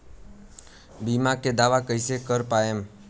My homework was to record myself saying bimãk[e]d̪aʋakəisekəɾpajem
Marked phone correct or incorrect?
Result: correct